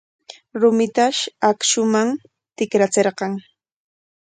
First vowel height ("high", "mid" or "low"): high